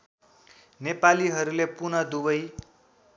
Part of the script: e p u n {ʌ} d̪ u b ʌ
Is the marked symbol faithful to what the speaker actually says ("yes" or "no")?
yes